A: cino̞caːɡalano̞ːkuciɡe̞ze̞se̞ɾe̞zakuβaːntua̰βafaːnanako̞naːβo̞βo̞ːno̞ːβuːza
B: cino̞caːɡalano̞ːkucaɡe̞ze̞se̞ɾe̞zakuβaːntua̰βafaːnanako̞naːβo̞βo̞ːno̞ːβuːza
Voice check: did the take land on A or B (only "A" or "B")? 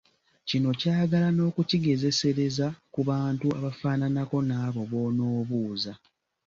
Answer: A